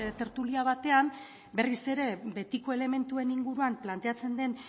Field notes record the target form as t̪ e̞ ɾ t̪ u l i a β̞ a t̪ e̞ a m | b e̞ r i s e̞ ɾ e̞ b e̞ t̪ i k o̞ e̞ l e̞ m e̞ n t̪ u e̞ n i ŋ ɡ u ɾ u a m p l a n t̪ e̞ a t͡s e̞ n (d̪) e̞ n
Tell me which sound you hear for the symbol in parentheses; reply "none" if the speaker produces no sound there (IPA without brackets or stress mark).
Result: d̪